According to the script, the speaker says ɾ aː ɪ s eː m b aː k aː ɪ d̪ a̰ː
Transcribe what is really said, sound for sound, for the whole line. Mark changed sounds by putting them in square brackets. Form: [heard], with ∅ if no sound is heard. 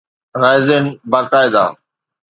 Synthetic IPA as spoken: ɾ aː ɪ [z] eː [n] b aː k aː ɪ d̪ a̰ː